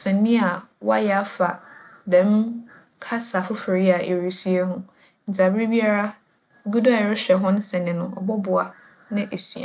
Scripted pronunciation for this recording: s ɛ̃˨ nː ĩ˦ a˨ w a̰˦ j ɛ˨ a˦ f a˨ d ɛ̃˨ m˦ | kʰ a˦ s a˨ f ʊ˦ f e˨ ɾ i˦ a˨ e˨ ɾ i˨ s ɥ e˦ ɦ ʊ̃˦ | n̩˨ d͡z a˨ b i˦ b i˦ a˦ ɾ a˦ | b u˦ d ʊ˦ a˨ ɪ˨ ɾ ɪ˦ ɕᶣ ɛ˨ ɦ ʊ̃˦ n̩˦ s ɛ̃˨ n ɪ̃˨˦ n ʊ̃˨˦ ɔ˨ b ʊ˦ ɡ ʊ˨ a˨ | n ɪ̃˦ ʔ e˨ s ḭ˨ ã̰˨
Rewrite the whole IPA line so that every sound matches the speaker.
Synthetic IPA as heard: s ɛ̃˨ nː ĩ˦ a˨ w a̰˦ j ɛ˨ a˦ f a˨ d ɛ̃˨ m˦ | kʰ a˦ s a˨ f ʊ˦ f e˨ ɾ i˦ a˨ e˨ ɾ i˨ s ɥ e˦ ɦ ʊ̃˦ | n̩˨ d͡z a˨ b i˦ b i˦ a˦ ɾ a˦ | ɡ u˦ d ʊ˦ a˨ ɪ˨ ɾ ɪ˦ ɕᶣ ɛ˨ ɦ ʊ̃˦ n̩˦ s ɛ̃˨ n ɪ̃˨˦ n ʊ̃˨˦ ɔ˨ b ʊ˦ b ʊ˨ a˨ | n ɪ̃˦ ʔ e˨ s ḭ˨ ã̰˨